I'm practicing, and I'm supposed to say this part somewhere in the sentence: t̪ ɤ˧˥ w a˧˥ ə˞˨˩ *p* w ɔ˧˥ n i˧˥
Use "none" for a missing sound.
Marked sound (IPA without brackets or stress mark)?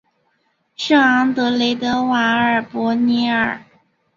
p